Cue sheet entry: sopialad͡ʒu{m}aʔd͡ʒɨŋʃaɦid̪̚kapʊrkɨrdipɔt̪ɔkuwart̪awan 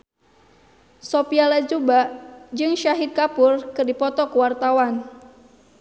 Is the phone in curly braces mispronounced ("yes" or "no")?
yes